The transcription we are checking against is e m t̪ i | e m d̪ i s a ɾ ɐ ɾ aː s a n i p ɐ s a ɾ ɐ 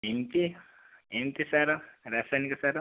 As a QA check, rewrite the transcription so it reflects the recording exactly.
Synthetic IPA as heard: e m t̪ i | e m t̪ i s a ɾ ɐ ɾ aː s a n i k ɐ s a ɾ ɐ